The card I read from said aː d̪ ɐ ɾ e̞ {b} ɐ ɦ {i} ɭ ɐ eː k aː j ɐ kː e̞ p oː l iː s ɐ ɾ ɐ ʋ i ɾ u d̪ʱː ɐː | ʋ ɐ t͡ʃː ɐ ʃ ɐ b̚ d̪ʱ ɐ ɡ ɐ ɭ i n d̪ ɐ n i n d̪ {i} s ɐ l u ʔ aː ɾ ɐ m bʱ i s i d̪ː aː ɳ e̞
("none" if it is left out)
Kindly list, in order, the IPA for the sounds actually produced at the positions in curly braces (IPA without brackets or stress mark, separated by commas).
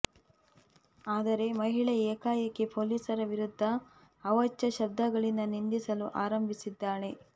m, i, i